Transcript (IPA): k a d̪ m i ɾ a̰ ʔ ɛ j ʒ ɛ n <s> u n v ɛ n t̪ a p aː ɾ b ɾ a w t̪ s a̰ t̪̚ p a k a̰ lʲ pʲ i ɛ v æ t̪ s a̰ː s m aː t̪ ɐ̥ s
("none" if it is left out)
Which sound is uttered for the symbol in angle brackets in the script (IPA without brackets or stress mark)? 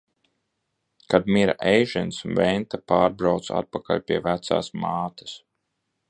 s